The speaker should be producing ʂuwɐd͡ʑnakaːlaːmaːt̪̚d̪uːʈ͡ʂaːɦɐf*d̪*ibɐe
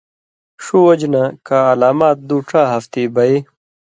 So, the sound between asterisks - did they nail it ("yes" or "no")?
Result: no